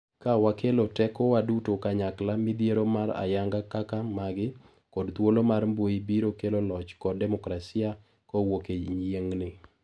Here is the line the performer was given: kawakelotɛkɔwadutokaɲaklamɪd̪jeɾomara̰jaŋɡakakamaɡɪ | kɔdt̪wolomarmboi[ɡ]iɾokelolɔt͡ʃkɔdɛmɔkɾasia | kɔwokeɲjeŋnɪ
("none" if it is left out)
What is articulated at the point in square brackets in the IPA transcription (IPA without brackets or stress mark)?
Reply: b